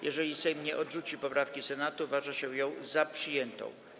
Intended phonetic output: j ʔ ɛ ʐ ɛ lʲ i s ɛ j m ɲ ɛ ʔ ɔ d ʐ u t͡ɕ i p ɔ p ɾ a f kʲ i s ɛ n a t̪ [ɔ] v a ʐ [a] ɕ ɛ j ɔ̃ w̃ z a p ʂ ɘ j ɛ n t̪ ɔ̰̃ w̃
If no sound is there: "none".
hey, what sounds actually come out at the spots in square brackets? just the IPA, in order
u, a

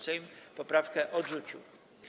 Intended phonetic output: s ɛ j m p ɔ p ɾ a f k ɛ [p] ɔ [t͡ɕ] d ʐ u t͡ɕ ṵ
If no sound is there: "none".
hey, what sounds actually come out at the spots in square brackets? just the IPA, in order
ʔ, none

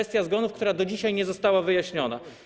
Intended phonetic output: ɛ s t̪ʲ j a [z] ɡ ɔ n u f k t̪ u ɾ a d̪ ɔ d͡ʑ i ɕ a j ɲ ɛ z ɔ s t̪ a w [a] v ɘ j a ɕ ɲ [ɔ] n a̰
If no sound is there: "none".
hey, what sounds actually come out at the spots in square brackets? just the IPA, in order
z, a, ɔ

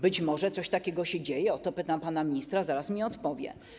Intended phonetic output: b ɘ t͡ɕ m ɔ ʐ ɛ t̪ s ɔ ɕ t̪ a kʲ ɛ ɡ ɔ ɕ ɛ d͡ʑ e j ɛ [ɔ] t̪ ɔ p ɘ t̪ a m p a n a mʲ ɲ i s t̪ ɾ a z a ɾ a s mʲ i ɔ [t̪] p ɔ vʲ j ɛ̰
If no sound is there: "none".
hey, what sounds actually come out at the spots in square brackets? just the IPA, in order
ɔ, t̪

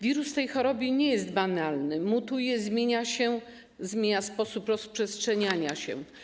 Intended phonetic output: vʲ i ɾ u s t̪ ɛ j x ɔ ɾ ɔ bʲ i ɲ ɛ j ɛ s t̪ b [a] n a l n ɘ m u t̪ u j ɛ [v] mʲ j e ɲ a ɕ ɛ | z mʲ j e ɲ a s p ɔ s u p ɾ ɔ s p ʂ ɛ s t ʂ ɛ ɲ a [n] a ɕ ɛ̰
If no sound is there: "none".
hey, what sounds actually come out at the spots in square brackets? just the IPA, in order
a, z, ɲ

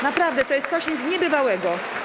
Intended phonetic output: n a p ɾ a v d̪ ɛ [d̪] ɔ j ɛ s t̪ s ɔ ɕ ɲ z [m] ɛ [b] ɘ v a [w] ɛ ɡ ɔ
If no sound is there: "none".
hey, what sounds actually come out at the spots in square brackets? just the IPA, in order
t̪, ɲ, b, w

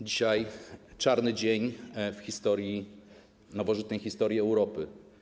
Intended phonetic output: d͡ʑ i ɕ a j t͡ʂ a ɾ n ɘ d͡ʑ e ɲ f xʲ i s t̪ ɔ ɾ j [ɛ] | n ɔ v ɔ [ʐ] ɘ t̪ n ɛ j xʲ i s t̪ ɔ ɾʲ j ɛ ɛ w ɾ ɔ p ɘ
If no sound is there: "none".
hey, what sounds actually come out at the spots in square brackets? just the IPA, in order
i, ʐ

